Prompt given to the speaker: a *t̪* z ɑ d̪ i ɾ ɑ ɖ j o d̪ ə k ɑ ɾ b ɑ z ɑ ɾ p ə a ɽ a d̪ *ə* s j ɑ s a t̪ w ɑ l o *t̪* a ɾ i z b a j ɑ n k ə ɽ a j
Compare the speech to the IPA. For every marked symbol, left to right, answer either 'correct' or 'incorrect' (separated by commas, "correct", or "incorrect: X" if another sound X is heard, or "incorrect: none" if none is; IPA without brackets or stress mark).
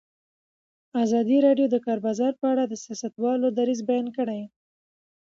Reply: incorrect: none, correct, incorrect: d̪